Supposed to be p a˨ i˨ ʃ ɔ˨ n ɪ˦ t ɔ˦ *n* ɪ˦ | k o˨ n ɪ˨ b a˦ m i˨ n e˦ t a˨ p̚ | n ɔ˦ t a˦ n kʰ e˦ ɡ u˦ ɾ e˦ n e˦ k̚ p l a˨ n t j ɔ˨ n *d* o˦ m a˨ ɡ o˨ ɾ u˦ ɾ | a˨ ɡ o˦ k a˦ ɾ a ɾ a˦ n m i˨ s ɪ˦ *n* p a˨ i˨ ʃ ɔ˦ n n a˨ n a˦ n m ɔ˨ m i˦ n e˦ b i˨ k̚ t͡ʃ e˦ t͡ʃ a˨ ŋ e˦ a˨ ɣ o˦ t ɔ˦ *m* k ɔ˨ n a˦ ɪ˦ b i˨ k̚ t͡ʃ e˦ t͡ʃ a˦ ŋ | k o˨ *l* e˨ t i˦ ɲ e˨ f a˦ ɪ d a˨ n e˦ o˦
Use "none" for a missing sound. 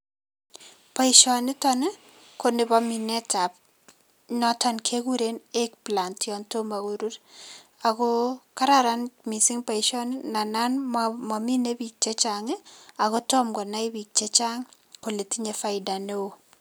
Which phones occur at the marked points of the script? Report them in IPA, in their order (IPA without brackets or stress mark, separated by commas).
n, t, ŋ, m, l